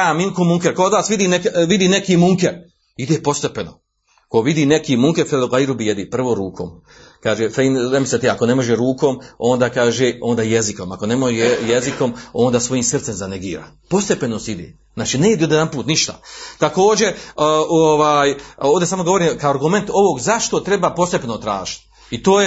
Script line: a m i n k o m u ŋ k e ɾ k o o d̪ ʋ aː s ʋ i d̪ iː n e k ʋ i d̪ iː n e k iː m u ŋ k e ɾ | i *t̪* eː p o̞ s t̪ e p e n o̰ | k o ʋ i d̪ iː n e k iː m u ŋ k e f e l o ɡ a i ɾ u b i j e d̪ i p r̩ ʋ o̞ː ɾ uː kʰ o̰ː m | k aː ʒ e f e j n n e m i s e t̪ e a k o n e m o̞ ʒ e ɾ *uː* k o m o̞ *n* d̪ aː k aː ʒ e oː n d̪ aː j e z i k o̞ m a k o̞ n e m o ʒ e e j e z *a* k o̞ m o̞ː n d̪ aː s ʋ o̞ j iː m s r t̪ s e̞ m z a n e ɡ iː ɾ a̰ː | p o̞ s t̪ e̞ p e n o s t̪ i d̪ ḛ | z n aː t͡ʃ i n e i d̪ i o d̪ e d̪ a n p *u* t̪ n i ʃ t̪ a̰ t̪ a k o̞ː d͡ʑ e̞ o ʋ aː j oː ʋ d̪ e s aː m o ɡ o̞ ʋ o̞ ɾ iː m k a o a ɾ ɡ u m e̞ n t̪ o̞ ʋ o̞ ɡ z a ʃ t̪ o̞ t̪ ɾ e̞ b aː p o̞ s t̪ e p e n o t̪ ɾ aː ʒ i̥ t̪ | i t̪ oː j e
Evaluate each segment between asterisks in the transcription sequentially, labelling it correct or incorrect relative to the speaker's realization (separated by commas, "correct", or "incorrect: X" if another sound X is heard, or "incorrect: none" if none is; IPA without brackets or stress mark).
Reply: incorrect: d̪, correct, correct, incorrect: i, incorrect: uː